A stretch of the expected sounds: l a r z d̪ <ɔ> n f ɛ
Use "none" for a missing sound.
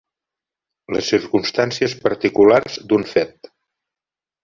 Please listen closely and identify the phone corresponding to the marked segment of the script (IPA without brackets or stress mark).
u